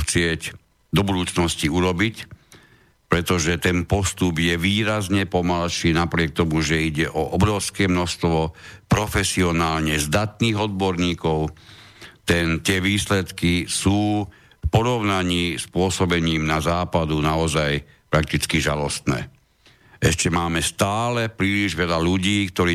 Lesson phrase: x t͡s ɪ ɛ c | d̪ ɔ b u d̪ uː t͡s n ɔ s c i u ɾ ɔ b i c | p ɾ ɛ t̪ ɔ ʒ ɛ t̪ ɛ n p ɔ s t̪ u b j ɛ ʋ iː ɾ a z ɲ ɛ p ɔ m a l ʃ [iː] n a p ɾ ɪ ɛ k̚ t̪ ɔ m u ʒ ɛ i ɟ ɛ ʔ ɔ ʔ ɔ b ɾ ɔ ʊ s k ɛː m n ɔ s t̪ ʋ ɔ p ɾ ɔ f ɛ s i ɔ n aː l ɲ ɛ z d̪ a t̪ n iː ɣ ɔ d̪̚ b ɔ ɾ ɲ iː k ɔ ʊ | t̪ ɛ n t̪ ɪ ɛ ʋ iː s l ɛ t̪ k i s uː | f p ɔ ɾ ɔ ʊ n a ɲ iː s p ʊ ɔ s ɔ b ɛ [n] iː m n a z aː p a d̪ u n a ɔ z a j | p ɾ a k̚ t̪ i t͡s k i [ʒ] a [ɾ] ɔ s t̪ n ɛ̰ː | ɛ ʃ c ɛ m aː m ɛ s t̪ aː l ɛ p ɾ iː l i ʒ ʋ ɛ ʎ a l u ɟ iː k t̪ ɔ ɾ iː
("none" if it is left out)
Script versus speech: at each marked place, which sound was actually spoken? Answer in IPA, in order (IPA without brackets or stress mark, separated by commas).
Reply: iː, ɲ, ʒ, l